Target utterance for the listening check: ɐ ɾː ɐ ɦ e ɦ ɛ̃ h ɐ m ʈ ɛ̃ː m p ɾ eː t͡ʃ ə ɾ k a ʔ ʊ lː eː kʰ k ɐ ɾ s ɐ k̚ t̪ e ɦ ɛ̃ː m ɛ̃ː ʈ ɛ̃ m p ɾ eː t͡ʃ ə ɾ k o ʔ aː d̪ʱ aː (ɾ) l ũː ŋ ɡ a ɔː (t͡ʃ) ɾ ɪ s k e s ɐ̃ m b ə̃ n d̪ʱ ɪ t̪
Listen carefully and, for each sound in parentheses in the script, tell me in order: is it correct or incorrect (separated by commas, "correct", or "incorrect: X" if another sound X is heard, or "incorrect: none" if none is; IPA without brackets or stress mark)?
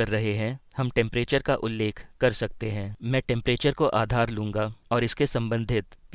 correct, incorrect: none